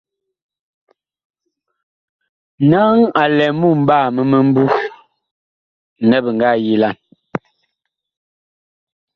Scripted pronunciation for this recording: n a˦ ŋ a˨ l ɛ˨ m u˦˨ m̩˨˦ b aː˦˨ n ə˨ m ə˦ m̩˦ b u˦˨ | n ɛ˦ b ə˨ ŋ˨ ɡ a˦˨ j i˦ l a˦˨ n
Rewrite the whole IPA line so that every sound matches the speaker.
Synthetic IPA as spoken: n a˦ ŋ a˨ l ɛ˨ m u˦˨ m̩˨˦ b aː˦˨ m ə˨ m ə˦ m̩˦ b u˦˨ | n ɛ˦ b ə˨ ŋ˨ ɡ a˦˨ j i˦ l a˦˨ n